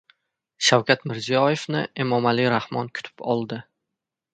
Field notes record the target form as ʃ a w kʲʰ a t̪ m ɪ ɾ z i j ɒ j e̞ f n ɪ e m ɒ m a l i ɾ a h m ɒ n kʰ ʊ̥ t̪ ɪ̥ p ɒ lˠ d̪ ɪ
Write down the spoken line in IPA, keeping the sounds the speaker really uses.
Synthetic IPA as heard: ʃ a w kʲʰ a t̪ m ɪ ɾ z i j ɒ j e̞ f n ɪ e m ɒ m a l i ɾ a h m ɒ n kʰ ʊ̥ t̪ʰ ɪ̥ p ɒ lˠ d̪ ɪ